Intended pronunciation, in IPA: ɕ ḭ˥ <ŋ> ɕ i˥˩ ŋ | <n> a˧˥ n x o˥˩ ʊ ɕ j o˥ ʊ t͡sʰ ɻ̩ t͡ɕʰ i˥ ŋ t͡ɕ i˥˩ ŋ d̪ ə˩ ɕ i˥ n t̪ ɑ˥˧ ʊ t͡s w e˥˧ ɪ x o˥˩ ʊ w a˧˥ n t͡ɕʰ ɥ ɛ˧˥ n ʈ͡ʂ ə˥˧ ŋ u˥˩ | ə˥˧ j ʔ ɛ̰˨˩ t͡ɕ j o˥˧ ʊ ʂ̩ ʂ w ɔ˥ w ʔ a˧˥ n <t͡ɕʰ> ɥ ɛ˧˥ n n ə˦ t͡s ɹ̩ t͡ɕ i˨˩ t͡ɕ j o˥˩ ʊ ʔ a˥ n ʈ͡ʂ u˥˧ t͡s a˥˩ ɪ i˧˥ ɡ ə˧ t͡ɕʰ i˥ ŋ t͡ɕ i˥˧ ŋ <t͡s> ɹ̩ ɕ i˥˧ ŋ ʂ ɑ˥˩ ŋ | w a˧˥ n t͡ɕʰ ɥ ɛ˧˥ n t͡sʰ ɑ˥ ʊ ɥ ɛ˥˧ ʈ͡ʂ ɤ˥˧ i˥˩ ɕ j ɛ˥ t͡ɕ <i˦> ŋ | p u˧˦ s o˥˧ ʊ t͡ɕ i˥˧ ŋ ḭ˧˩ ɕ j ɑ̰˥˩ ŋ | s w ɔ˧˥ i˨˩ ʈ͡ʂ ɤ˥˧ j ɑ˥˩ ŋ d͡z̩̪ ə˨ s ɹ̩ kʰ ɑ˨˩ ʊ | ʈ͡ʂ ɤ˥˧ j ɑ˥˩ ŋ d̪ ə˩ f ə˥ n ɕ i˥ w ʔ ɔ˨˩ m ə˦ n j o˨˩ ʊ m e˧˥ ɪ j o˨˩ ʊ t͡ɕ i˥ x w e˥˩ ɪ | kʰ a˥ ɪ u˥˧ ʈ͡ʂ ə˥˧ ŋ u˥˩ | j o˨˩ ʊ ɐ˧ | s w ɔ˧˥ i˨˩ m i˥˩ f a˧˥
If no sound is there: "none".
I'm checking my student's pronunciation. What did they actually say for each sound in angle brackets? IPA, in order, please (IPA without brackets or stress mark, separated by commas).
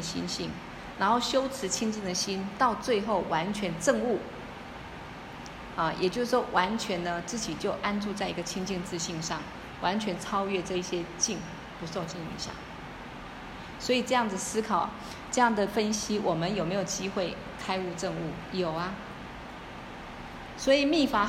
n, n, t͡ɕʰ, t͡s, i˥˩